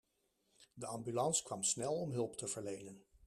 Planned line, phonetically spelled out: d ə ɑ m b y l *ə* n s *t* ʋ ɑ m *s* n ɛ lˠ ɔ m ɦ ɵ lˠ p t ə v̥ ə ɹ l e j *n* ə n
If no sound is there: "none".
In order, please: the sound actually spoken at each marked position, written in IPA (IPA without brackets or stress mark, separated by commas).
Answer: ɑ, k, s, n